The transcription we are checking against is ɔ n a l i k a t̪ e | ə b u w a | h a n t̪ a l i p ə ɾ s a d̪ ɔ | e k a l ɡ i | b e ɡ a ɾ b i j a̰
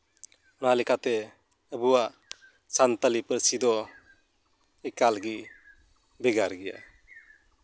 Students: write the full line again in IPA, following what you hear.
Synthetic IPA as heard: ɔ n a l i k a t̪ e | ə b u w a | s a n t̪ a l i p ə ɾ s i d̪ ɔ | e k a l ɡ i | b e ɡ a ɾ ɡ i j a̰